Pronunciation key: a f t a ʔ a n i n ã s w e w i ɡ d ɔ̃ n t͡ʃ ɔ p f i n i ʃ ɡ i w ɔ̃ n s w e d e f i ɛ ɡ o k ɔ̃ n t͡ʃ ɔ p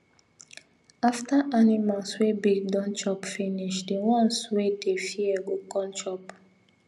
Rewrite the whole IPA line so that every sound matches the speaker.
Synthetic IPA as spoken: a f t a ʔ a n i m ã s w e b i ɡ d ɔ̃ n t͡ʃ ɔ p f i n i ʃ d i w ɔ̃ n s w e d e f i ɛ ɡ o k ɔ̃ n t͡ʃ ɔ p